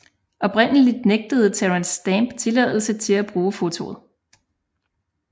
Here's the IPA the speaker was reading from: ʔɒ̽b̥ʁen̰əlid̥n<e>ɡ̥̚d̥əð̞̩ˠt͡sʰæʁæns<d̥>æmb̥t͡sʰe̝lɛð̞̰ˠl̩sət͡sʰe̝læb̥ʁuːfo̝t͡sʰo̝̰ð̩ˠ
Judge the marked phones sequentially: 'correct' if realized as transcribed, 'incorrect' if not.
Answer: correct, correct

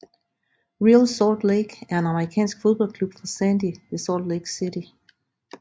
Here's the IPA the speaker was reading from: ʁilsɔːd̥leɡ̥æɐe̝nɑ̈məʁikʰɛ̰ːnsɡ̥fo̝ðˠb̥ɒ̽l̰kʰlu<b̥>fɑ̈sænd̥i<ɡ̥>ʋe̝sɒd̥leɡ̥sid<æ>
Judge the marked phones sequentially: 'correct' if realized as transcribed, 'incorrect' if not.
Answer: correct, incorrect: none, incorrect: i

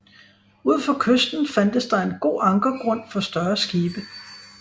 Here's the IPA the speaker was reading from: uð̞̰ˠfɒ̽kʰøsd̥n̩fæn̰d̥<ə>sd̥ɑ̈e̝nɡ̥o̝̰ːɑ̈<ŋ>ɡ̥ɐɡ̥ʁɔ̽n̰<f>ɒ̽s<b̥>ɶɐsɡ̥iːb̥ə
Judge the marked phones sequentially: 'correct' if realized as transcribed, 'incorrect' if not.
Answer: correct, correct, correct, incorrect: d̥

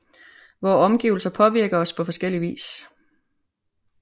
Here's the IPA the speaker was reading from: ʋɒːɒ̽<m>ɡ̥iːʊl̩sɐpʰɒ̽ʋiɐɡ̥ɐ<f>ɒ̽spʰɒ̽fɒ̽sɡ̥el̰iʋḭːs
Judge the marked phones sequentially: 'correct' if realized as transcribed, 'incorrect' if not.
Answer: correct, incorrect: none

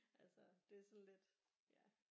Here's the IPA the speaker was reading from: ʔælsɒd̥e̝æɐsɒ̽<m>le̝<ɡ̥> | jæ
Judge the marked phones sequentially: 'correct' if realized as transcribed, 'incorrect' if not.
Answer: incorrect: n, incorrect: d̥

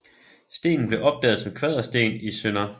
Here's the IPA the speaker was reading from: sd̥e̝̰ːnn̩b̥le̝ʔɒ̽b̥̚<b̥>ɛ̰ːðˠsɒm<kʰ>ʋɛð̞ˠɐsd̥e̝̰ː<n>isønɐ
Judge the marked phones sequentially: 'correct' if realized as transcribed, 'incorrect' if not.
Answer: incorrect: d̥, correct, correct

